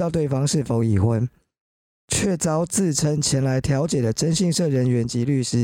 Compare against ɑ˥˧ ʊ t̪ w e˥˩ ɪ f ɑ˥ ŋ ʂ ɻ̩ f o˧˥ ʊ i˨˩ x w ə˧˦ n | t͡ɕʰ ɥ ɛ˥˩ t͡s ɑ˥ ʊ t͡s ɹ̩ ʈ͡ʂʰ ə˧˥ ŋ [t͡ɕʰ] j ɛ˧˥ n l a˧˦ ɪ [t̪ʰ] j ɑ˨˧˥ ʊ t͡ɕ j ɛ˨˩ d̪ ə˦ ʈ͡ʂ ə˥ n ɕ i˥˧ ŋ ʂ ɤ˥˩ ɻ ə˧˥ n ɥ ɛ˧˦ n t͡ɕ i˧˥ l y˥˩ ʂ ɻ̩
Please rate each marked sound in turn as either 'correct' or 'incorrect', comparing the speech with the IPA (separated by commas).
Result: correct, correct